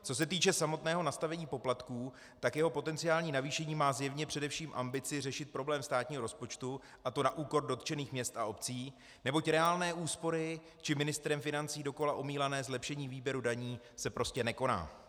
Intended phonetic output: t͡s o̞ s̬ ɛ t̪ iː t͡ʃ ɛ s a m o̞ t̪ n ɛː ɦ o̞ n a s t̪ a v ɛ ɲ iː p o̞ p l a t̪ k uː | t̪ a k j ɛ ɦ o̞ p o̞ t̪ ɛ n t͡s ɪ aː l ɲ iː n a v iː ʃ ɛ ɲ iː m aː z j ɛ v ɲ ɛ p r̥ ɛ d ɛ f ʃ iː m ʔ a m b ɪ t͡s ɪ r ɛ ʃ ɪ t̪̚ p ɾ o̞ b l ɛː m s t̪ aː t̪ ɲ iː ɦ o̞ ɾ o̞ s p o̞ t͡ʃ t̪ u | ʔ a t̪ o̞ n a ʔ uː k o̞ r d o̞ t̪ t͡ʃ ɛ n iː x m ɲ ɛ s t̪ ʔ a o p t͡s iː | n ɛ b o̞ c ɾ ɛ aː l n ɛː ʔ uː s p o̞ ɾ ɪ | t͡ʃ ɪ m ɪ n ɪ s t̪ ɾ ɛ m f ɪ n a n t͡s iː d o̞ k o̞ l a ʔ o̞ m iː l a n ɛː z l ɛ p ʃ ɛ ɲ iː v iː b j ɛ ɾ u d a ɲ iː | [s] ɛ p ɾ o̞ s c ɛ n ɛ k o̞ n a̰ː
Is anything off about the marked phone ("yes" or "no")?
no